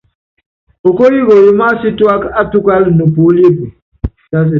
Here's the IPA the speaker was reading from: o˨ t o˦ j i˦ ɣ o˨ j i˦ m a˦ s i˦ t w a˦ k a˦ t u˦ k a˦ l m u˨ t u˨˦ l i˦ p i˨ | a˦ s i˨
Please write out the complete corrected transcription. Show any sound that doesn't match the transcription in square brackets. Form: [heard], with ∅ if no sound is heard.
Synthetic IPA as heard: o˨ [k] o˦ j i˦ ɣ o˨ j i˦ m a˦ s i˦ t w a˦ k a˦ t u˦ k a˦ l [n] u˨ [p] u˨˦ l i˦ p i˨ | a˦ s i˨